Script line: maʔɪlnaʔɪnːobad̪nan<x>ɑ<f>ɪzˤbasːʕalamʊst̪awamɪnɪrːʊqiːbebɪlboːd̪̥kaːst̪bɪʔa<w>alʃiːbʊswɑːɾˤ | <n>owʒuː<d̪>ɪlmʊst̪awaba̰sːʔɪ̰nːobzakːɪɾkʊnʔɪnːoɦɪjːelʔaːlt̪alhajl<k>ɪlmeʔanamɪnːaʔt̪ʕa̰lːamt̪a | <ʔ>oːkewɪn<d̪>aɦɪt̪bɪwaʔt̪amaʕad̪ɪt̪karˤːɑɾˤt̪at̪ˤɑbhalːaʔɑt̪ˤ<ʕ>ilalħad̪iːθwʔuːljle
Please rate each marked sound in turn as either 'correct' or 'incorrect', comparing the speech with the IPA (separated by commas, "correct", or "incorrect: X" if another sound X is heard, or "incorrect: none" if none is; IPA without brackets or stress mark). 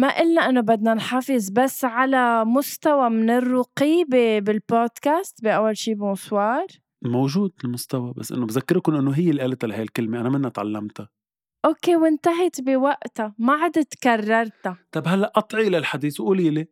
incorrect: ħ, correct, incorrect: wː, incorrect: m, correct, correct, correct, incorrect: t̪, correct